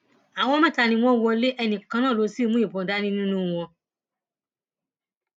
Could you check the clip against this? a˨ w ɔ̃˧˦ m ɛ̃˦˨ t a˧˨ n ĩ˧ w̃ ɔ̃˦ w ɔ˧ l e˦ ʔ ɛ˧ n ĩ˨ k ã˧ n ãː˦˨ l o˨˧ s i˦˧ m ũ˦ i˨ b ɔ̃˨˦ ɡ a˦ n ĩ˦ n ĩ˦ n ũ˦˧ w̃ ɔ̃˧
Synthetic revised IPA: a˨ w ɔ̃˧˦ m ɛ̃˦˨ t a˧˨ n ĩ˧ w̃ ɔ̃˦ w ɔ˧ l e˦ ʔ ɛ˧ n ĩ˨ k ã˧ n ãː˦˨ l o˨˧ s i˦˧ m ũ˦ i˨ b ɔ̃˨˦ d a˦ n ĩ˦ n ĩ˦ n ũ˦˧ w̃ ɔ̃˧